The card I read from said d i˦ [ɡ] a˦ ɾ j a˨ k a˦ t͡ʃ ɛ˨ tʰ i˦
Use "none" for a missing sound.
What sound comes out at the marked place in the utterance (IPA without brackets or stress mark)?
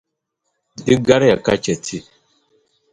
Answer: ɡ